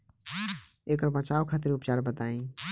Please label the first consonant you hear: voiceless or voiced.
voiceless